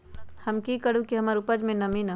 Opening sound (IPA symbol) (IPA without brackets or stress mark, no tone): h